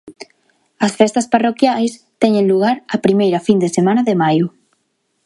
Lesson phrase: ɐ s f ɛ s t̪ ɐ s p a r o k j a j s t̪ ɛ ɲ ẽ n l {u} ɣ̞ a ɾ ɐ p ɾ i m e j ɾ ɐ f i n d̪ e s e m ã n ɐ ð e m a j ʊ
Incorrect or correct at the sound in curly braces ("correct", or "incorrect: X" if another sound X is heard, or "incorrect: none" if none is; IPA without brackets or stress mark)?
correct